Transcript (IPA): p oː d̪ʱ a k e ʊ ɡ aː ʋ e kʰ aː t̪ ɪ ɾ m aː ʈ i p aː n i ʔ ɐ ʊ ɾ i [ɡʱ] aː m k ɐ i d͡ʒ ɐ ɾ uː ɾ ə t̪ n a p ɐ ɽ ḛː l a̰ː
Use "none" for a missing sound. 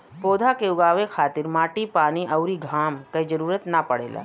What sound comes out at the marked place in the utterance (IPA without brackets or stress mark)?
ɡʱ